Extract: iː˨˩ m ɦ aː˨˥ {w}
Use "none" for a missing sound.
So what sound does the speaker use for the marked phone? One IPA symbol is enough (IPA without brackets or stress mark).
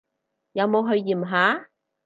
none